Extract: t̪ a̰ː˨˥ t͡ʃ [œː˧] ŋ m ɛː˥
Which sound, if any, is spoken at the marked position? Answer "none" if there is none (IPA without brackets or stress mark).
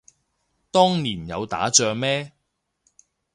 œː˧